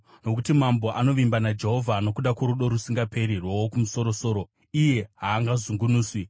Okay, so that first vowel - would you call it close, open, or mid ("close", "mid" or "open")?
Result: mid